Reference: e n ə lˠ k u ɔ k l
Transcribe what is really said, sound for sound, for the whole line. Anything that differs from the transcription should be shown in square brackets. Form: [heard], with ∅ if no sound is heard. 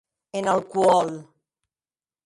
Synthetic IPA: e n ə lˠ k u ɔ [∅] l